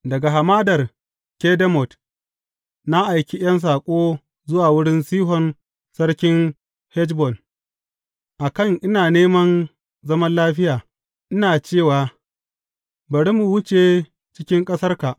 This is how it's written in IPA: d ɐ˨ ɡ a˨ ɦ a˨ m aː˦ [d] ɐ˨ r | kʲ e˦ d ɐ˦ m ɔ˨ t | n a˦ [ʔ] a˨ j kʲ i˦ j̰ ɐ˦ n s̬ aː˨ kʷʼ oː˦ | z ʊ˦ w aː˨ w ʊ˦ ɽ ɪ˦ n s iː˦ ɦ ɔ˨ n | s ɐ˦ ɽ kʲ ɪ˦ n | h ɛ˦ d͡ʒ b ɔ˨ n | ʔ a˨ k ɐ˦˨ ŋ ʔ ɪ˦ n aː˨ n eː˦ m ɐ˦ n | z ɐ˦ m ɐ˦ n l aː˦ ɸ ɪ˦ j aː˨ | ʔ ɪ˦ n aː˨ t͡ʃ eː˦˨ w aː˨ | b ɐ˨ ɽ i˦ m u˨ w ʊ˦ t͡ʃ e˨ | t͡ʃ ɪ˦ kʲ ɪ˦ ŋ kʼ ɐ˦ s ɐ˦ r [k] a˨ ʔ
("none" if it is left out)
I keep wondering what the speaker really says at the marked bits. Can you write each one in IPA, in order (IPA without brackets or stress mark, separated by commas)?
d, ʔ, k